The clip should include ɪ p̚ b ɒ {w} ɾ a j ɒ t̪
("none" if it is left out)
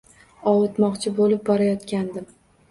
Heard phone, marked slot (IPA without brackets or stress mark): none